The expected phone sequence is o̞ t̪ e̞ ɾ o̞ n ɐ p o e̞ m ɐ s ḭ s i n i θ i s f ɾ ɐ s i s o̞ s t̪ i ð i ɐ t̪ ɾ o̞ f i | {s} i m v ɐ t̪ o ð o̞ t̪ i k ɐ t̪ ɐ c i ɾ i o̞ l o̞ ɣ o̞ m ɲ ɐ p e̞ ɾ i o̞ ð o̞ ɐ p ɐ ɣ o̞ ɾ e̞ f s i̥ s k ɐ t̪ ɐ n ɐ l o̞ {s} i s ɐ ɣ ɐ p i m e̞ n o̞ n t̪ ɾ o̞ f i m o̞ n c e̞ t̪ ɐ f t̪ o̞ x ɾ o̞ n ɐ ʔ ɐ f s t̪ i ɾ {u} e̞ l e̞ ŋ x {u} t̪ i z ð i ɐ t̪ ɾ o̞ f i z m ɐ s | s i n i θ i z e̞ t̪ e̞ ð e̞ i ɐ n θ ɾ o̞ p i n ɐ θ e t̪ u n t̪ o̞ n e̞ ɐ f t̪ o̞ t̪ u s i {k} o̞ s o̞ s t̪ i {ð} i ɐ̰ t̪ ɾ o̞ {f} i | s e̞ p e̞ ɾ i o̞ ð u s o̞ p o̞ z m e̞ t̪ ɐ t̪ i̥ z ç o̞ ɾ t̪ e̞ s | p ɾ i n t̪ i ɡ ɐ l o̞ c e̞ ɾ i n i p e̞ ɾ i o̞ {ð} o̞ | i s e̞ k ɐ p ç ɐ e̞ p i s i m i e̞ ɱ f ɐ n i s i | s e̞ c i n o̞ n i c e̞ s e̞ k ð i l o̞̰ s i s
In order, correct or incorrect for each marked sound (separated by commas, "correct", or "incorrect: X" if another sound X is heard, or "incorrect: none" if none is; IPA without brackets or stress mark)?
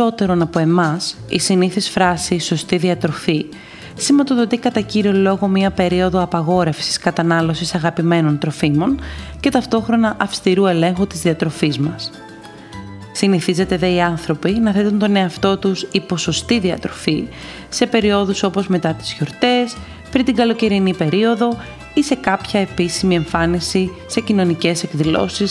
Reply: correct, correct, correct, correct, incorrect: p, correct, correct, correct